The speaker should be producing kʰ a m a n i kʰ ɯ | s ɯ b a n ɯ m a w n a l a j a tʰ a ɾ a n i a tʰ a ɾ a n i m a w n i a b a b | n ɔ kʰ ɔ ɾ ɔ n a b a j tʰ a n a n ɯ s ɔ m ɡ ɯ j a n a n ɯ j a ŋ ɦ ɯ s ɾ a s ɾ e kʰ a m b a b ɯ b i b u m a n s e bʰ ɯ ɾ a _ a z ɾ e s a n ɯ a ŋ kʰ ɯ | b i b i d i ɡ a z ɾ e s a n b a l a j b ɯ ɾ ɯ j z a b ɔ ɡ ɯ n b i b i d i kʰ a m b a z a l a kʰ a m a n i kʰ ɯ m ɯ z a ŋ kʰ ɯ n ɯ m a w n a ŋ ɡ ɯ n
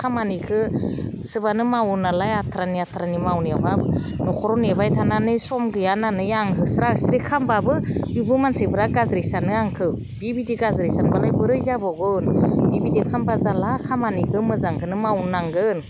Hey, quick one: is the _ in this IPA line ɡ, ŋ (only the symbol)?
ɡ